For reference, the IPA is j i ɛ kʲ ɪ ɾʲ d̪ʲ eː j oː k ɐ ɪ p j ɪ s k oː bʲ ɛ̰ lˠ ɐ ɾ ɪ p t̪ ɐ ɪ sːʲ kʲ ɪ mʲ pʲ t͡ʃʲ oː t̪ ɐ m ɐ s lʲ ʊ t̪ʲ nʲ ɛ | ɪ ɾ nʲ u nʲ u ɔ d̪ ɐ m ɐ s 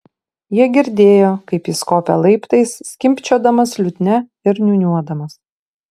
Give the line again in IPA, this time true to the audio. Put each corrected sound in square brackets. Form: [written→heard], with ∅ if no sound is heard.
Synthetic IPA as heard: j i ɛ [kʲ→ɡʲ] ɪ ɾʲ d̪ʲ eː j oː k ɐ ɪ p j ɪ s k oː [bʲ→pʲ] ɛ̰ lˠ ɐ [ɾ→∅] ɪ p t̪ ɐ ɪ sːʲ kʲ ɪ mʲ pʲ t͡ʃʲ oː [t̪→d̪] ɐ m ɐ s lʲ ʊ t̪ʲ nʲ ɛ | ɪ ɾ nʲ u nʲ u ɔ d̪ ɐ m ɐ s